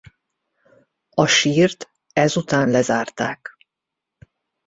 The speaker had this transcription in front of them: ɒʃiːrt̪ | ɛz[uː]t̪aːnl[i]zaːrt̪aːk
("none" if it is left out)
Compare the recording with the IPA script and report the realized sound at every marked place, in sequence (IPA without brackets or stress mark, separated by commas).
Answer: u, ɛ